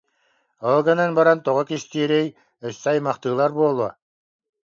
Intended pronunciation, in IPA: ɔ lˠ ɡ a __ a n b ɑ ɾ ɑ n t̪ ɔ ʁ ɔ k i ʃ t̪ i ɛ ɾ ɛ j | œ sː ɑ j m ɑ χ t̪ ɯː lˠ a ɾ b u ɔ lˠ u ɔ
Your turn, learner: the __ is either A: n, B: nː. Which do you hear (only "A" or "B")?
A